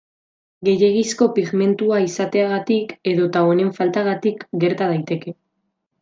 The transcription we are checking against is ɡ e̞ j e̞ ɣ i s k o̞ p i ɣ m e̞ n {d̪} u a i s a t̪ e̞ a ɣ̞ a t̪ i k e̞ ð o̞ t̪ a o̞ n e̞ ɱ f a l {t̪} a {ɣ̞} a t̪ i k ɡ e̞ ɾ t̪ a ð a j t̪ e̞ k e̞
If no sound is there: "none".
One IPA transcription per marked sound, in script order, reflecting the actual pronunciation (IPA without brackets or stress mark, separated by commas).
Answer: t̪, t̪, ɣ̞